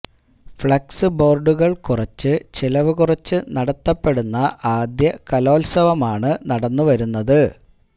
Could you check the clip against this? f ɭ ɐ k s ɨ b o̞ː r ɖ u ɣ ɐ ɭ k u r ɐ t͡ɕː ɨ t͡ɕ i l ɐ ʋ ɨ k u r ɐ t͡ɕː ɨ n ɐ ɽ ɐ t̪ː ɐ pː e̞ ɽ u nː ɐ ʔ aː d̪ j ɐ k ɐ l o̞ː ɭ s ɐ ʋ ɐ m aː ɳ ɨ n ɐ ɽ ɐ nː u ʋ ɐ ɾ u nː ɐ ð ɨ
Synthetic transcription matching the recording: f ɭ ɐ k s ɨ b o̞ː r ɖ u ɣ ɐ ɭ k u r ɐ t͡ɕː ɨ t͡ɕ i l ɐ ʋ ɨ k u r ɐ t͡ɕː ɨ n ɐ ɽ ɐ t̪ː ɐ pː e̞ ɽ u nː ɐ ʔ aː d̪ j ɐ k ɐ l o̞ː l s ɐ ʋ ɐ m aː ɳ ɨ n ɐ ɽ ɐ nː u ʋ ɐ ɾ u nː ɐ ð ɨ